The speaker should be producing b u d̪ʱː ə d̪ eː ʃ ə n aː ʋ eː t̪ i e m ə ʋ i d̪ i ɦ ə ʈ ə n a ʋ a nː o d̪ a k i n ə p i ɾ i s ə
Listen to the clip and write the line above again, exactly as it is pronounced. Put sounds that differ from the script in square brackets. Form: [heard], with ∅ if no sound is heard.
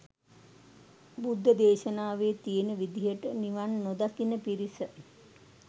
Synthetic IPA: b u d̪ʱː ə d̪ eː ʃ ə n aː ʋ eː t̪ i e [n] ə ʋ i d̪ i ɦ ə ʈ ə n [i] ʋ a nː o d̪ a k i n ə p i ɾ i s ə